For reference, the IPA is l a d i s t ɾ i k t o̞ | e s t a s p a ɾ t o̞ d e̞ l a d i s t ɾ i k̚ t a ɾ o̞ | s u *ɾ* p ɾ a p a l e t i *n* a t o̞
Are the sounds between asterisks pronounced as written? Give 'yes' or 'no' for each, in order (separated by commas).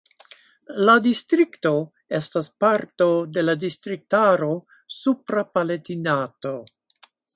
no, yes